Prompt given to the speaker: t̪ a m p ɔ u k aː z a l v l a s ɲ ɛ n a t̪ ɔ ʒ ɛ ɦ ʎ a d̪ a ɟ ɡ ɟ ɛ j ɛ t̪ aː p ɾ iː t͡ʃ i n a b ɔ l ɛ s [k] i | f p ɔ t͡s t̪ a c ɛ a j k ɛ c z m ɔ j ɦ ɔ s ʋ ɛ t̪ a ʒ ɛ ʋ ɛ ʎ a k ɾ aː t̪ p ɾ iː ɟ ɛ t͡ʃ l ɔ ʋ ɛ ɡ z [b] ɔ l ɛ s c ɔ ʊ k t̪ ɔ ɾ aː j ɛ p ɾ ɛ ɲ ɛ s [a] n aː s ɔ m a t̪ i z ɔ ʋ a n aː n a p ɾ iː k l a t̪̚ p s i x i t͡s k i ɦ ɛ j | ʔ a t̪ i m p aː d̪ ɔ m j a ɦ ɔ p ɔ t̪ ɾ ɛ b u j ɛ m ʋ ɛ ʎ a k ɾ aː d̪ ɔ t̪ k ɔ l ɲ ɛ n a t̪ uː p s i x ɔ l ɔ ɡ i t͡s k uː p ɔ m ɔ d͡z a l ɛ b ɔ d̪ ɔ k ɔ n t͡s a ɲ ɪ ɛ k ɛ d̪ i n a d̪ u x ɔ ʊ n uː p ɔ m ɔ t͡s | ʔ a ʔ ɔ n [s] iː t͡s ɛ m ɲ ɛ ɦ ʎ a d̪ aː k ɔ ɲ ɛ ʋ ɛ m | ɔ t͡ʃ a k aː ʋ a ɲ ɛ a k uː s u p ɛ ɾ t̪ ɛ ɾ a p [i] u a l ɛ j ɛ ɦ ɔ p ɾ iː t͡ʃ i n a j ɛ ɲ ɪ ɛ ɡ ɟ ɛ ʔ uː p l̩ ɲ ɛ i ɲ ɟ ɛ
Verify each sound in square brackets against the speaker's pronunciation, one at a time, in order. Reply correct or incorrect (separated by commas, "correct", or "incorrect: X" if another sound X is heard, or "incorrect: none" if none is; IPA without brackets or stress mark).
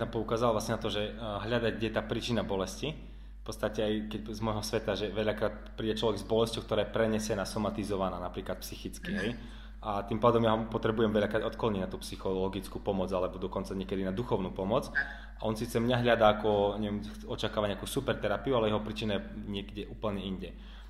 incorrect: c, correct, incorrect: ɛ, correct, correct